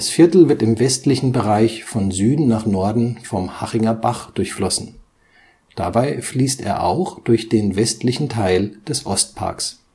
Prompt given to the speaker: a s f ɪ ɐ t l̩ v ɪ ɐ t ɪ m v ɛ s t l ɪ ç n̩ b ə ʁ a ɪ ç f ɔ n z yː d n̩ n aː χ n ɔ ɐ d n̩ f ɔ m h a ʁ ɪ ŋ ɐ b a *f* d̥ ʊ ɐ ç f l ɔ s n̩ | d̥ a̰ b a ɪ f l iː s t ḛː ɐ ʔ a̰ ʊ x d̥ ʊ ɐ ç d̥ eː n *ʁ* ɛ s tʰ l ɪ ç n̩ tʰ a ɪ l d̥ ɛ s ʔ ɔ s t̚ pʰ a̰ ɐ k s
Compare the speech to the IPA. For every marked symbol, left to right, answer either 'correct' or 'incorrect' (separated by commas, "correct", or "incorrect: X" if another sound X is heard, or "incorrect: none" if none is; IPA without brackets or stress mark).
incorrect: χ, incorrect: v